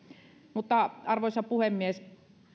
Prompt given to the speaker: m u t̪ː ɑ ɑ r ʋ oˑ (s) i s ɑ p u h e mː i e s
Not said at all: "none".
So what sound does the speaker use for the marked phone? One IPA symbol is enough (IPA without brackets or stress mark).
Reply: none